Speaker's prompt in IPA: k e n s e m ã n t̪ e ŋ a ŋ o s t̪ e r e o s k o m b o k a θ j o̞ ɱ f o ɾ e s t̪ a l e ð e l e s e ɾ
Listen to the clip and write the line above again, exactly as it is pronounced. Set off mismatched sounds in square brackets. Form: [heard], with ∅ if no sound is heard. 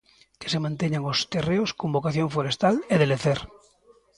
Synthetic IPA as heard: k e [∅] s e m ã n t̪ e [ɲ] a ŋ o s t̪ e r e o s k o m b o k a θ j o̞ ɱ f o ɾ e s t̪ a l e ð e l e [θ] e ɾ